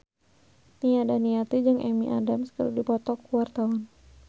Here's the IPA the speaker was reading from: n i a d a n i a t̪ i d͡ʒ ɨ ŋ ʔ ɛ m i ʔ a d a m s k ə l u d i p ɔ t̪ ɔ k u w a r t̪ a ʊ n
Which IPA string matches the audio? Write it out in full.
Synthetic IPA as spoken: n i a d a n i a t̪ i d͡ʒ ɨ ŋ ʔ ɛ m i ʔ a d a m s k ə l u d i p ɔ t̪ ɔ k u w a r t̪ a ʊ n